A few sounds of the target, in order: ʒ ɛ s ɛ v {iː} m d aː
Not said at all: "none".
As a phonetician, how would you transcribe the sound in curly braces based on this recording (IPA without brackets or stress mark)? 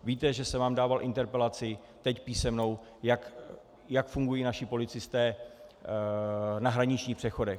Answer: aː